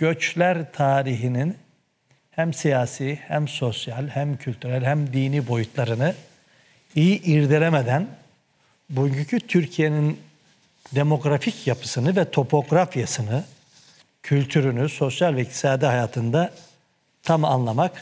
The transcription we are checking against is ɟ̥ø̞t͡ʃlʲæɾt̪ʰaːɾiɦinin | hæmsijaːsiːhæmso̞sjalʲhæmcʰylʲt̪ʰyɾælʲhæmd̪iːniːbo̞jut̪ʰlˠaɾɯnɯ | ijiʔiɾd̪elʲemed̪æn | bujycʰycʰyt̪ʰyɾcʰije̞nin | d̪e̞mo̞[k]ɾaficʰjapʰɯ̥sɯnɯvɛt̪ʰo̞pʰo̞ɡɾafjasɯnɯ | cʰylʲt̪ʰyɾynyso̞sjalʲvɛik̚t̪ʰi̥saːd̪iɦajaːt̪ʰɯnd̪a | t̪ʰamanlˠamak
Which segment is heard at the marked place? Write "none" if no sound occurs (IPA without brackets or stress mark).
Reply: ɡ